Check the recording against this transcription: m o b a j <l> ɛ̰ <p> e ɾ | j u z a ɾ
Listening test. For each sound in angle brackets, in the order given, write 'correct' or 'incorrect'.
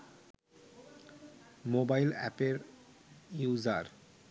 correct, correct

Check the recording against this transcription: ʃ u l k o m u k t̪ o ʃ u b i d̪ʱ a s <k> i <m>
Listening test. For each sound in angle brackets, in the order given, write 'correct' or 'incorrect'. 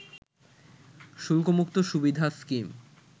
correct, correct

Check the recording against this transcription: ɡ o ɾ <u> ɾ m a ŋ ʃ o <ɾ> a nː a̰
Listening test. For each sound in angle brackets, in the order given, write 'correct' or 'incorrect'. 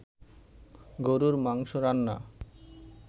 correct, correct

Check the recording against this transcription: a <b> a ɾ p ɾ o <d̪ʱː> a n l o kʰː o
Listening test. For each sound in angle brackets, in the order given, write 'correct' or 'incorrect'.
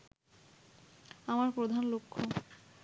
incorrect, incorrect

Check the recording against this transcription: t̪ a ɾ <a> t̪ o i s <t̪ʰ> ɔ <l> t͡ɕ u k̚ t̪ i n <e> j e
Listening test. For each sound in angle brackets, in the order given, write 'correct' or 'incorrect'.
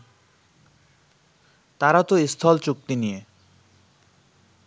correct, correct, correct, incorrect

